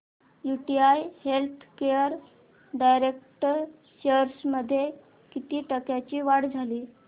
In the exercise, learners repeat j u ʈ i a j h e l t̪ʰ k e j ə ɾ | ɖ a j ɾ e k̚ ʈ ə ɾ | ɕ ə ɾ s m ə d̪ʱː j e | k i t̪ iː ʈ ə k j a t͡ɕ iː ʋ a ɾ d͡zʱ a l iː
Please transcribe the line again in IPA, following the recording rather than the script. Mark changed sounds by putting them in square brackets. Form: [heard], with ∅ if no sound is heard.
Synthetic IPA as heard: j u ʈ i a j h e l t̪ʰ k e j ə ɾ | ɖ a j ɾ e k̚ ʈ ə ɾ | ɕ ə ɾ s m ə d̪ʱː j e | k i t̪ iː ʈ ə k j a t͡ɕ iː ʋ a [ɽ] d͡zʱ a l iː